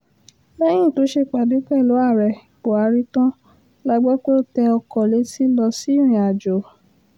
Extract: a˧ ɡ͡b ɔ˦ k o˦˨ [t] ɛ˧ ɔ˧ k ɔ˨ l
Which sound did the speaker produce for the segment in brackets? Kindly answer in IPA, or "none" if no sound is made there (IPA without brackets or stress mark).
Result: t